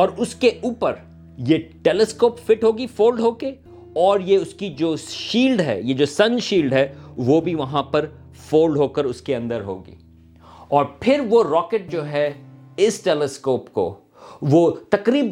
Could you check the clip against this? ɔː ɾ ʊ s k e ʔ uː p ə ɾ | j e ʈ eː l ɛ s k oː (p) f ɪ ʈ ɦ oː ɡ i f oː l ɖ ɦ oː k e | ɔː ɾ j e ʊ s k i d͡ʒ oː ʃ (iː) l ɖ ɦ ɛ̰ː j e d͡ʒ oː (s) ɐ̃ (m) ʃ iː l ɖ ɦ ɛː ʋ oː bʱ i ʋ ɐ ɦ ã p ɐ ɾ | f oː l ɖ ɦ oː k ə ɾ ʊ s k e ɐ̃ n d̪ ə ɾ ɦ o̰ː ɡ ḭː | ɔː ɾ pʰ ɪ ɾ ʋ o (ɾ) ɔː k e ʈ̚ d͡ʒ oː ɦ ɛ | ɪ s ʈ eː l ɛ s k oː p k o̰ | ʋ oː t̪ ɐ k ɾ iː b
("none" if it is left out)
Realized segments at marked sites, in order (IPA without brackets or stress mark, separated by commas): p, iː, s, n, ɾ